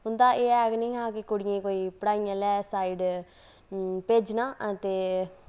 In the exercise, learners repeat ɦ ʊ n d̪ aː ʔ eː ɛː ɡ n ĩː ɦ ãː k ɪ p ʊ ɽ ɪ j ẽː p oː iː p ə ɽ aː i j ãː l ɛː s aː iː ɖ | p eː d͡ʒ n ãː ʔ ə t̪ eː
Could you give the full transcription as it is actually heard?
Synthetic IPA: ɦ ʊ n d̪ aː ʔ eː ɛː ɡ n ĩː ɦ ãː k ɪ k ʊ ɽ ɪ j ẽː k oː iː p ə ɽ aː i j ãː l ɛː s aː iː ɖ | p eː d͡ʒ n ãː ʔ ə t̪ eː